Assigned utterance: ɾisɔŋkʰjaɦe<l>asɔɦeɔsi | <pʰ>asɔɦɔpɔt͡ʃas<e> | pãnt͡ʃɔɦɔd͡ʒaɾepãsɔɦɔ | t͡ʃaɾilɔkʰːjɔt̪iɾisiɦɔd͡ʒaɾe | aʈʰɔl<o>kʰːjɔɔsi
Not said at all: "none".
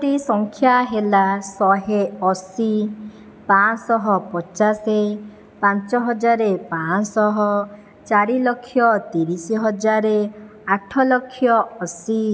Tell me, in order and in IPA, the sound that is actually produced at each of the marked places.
l, p, e, ɔ

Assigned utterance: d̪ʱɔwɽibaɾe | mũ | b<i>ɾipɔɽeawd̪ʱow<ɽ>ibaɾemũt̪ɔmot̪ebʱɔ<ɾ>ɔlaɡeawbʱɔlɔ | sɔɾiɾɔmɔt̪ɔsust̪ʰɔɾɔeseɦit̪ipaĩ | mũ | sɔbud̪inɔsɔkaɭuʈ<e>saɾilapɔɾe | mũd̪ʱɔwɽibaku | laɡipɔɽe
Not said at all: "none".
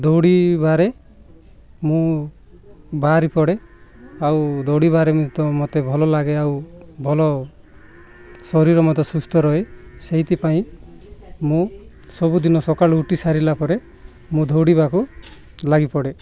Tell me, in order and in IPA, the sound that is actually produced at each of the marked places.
a, ɽ, l, i

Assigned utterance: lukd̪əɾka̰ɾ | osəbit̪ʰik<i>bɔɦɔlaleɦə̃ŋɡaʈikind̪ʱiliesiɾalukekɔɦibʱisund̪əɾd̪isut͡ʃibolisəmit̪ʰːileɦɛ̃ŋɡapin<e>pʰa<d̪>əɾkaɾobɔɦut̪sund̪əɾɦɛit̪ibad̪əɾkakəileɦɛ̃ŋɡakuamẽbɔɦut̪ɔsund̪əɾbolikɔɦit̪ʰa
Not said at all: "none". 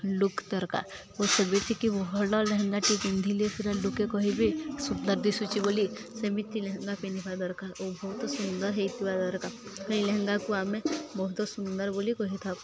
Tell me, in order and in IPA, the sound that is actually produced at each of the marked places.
i, i, d̪

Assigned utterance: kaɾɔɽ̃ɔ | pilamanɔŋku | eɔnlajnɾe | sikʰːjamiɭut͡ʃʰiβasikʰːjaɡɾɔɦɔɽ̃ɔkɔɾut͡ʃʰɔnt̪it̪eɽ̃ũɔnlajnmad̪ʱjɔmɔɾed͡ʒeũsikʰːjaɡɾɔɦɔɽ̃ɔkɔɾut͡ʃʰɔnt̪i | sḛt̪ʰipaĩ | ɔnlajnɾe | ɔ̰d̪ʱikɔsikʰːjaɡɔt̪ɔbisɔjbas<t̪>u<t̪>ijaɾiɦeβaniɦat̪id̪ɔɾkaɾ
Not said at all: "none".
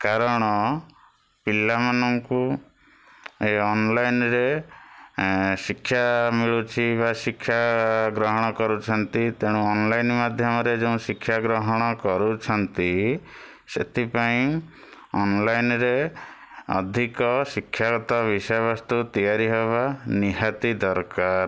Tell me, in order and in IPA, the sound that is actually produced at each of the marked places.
t̪, t̪

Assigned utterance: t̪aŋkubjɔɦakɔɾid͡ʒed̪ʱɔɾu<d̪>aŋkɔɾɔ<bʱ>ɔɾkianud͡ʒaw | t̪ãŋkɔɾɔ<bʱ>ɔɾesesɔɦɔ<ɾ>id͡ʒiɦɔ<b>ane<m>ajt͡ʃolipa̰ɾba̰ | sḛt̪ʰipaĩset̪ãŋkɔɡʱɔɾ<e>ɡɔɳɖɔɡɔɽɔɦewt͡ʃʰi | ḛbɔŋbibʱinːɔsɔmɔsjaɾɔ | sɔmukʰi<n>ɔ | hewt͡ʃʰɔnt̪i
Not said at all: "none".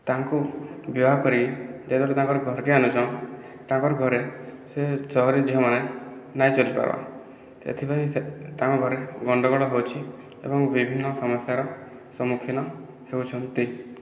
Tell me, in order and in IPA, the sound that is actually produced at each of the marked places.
t̪, ɡʱ, ɡʱ, ɾ, m, n, e, n

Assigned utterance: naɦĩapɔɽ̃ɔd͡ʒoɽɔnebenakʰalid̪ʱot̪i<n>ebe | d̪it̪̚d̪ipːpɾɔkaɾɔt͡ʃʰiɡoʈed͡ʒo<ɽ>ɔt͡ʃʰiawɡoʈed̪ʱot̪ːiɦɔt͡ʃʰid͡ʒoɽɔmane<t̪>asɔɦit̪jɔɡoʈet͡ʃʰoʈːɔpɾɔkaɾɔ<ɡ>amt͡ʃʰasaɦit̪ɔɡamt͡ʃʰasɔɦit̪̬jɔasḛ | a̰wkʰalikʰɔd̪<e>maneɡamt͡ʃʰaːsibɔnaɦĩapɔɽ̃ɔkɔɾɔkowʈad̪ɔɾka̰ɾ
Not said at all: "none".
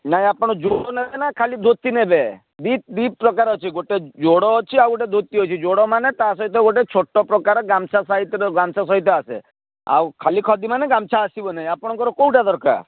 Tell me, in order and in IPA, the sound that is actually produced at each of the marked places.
n, ɽ, t̪, ɡ, i

